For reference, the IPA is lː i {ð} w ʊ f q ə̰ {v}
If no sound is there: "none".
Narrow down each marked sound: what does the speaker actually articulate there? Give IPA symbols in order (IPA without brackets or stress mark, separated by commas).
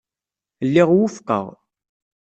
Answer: ʁ, ʁ